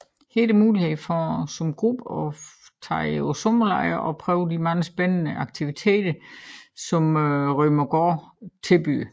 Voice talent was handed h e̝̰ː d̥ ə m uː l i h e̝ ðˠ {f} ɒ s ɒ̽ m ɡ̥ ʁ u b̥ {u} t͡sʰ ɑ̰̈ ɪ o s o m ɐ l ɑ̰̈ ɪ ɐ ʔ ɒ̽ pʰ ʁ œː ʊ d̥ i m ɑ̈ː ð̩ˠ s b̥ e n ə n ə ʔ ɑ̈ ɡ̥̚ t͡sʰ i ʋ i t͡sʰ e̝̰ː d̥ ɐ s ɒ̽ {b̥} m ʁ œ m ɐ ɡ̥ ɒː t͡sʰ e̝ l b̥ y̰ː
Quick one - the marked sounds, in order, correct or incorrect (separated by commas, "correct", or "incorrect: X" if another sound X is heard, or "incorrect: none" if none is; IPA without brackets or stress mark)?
correct, incorrect: ɒ, incorrect: none